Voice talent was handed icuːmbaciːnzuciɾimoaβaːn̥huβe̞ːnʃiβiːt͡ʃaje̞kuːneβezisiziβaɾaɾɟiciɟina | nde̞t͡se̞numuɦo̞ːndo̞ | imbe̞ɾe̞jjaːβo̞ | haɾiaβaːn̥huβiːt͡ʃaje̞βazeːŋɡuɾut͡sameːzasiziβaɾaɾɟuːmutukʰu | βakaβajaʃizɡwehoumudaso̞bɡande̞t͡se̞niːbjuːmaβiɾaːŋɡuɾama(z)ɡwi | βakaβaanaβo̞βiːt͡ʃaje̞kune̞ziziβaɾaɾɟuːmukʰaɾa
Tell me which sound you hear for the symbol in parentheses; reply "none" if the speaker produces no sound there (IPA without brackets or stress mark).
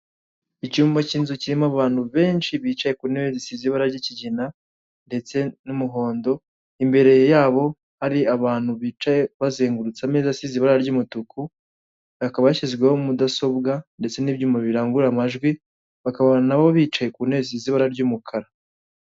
ʒ